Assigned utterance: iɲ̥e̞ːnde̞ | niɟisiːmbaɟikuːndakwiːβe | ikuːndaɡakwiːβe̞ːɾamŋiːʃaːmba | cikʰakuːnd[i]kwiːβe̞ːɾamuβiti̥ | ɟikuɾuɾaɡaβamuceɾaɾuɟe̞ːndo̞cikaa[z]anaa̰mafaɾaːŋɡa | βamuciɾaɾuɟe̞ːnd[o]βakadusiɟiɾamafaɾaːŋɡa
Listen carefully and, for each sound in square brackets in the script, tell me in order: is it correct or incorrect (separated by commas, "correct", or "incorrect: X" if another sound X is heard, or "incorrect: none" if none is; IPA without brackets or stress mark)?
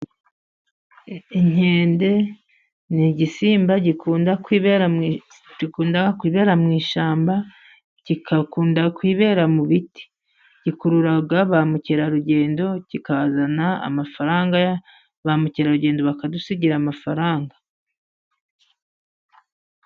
incorrect: a, correct, correct